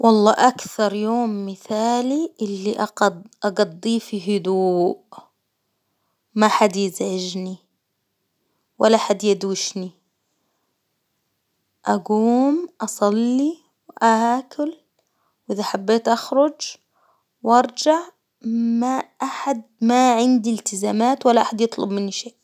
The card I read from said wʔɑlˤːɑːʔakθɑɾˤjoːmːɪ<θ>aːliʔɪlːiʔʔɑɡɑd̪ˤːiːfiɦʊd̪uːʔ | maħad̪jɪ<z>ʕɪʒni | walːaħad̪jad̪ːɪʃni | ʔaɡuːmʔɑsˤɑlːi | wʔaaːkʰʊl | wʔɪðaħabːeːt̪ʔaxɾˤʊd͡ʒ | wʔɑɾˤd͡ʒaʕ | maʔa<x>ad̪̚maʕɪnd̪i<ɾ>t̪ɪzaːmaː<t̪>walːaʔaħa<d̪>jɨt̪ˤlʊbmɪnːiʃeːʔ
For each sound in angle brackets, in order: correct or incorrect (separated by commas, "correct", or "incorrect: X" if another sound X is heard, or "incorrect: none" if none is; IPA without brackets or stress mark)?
correct, correct, incorrect: ħ, incorrect: l, correct, correct